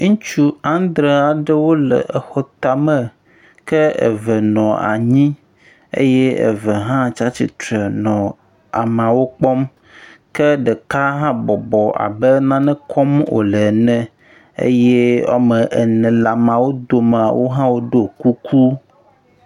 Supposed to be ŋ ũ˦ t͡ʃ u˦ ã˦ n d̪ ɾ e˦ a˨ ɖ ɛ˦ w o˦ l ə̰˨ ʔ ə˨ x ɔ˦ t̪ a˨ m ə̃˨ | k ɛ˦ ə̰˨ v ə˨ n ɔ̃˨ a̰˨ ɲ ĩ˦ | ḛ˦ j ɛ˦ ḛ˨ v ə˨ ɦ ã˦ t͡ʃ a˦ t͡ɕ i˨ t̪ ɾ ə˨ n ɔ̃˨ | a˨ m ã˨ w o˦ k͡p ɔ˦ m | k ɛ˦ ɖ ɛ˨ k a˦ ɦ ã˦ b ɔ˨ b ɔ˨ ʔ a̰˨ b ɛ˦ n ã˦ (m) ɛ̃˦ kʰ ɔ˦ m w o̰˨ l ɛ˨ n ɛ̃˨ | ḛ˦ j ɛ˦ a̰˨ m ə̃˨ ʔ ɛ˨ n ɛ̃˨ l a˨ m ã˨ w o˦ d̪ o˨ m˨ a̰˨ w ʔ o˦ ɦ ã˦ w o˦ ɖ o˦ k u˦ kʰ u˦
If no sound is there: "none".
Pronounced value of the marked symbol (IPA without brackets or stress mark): n